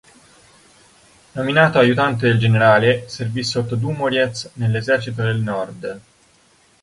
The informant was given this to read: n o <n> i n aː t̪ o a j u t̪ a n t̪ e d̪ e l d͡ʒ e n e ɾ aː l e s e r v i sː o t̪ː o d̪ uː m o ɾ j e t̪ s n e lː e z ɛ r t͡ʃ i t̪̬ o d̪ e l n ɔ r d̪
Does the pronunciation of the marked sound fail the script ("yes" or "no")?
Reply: yes